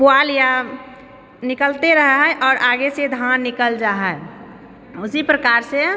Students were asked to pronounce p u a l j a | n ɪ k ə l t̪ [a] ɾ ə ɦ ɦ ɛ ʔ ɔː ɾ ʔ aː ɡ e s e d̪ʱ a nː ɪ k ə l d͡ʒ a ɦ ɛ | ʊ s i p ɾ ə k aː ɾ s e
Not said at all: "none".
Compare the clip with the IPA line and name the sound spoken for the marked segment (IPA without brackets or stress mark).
e